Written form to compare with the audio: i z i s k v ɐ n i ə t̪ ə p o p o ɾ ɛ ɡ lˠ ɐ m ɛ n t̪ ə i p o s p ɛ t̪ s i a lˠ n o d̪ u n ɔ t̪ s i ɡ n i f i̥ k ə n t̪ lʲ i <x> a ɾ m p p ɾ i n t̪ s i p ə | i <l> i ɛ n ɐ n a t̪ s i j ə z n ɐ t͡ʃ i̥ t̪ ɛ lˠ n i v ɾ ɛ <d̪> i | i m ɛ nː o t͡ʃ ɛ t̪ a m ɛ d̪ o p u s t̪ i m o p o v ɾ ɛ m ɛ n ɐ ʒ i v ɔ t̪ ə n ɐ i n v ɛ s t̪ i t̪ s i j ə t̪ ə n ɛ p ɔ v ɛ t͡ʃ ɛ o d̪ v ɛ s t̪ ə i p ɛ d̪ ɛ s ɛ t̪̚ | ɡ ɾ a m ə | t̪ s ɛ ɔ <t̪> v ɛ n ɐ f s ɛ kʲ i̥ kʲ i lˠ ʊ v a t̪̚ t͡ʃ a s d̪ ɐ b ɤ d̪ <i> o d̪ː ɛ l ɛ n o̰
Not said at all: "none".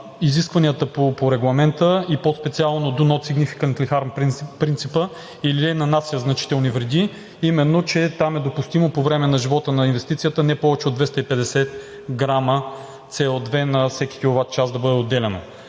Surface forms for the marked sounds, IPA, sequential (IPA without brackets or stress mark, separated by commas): x, l, d̪, d̪, ɛ